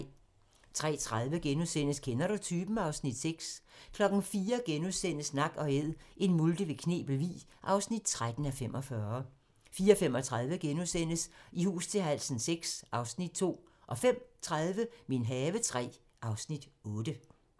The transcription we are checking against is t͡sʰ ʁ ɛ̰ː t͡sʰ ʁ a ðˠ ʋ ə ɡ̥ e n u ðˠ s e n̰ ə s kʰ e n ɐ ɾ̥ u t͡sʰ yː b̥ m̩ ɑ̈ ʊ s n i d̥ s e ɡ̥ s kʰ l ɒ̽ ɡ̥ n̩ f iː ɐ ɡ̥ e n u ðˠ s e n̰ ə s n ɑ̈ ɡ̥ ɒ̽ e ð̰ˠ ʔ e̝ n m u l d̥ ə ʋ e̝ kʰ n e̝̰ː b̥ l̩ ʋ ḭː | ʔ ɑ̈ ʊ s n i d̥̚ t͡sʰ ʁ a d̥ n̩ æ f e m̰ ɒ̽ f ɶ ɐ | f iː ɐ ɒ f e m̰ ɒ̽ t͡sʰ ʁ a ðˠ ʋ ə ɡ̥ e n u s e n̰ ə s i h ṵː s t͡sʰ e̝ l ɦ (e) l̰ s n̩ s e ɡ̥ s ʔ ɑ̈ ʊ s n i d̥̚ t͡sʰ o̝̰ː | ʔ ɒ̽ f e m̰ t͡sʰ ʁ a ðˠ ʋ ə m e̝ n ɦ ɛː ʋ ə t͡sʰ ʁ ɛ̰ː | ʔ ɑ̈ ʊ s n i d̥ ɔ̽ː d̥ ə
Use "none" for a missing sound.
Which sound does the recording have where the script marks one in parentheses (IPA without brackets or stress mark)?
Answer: æ